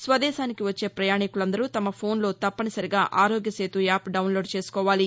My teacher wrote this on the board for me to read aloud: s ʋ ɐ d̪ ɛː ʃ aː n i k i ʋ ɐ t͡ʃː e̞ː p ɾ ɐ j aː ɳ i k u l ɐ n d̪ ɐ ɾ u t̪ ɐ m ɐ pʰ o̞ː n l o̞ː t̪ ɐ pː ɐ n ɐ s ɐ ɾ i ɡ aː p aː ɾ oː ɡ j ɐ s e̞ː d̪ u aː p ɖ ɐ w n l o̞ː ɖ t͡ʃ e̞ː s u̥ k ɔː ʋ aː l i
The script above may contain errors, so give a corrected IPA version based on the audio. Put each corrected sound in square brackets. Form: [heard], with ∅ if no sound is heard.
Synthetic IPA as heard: s ʋ ɐ d̪ ɛː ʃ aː n i k i ʋ ɐ t͡ʃː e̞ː p ɾ ɐ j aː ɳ i k u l ɐ n d̪ ɐ ɾ u t̪ ɐ m ɐ pʰ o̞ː n l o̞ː t̪ ɐ pː ɐ n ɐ s ɐ ɾ i ɡ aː [ʔ] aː ɾ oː ɡ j ɐ s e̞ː [t̪] u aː p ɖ ɐ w n l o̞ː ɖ t͡ʃ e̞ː s u̥ k ɔː ʋ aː l i